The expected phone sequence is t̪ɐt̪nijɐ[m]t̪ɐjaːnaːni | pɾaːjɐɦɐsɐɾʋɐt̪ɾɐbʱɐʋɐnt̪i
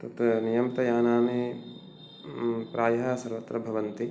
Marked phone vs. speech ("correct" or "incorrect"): correct